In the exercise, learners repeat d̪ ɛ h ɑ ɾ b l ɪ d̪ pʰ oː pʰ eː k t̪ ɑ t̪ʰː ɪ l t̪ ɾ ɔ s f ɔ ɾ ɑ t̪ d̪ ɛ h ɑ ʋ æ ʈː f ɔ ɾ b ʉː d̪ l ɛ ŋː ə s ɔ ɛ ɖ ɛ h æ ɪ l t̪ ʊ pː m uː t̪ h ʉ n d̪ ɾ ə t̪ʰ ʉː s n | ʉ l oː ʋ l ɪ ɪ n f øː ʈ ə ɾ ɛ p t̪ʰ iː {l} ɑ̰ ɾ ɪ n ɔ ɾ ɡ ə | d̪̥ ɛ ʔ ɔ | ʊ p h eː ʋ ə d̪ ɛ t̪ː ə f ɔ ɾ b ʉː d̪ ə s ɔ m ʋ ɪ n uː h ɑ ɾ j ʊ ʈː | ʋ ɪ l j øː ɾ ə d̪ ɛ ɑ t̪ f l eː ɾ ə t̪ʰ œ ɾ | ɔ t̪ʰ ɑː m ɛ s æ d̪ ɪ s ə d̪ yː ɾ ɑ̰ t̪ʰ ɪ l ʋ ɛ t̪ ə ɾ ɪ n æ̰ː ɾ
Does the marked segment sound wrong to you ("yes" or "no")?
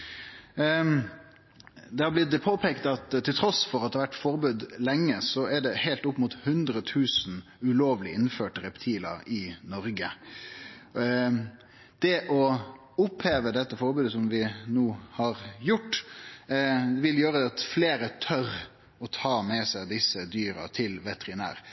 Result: no